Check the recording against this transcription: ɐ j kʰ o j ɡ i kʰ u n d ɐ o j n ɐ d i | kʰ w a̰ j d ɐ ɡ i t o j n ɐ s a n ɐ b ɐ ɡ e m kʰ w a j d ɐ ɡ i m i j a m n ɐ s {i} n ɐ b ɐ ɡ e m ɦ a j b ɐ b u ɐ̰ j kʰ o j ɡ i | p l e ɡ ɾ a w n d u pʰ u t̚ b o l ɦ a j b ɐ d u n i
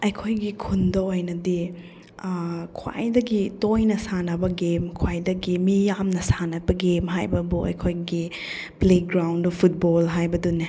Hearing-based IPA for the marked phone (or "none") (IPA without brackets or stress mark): a